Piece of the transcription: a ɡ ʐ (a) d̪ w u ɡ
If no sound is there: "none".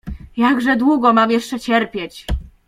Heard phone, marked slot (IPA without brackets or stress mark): ɛ